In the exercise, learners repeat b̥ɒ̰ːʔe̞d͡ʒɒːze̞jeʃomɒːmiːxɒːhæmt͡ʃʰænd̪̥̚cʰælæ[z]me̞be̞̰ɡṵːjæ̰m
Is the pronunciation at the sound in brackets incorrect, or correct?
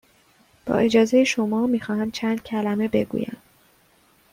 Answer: incorrect